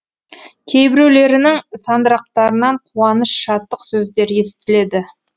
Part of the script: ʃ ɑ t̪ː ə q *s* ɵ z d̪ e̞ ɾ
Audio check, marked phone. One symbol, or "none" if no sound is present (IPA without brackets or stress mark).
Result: s